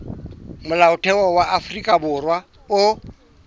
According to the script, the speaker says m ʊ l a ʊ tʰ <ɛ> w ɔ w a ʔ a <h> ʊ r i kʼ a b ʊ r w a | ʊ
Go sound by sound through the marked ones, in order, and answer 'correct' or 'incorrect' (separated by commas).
correct, incorrect